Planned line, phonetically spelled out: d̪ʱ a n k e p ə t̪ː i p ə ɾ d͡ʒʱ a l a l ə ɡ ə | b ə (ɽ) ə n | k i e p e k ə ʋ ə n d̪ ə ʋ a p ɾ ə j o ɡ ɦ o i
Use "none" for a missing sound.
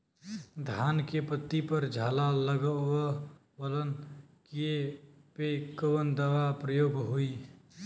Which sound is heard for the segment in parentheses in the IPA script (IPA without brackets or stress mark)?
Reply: l